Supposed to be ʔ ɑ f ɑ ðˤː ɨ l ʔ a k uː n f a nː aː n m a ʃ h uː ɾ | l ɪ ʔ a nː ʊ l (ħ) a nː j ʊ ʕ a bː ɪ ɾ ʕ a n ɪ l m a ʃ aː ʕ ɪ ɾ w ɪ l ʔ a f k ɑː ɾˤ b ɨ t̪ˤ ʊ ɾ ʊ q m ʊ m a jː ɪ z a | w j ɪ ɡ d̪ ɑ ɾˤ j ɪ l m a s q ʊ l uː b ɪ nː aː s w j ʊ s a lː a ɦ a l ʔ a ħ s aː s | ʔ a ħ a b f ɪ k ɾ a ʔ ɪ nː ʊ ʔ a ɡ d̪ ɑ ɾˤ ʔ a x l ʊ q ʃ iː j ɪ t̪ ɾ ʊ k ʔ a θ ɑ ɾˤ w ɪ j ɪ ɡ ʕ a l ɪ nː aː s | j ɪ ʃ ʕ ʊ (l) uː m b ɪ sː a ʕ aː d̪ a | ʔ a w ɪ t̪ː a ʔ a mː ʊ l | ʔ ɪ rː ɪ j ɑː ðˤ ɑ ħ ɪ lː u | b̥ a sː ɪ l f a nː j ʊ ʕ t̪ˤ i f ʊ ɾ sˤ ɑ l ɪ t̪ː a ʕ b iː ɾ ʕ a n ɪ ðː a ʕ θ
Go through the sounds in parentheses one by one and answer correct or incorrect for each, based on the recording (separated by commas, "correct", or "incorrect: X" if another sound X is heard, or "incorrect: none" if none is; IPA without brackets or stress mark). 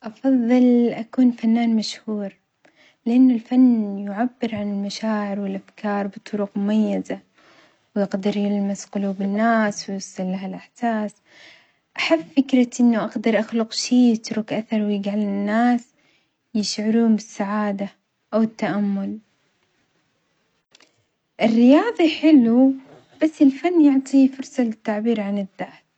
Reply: incorrect: f, incorrect: ɾ